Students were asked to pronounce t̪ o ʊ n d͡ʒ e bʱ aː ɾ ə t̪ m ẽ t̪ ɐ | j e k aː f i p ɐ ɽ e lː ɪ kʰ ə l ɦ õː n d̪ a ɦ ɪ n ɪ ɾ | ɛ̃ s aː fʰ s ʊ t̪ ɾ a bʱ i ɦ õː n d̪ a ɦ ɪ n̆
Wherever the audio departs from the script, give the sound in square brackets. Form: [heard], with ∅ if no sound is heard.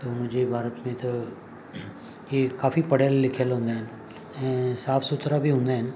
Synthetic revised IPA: t̪ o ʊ n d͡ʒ e bʱ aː ɾ ə t̪ m ẽ t̪ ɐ | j e k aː f i p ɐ ɽ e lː ɪ kʰ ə l ɦ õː n d̪ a ɦ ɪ n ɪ [∅] | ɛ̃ s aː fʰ s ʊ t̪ ɾ a bʱ i ɦ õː n d̪ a ɦ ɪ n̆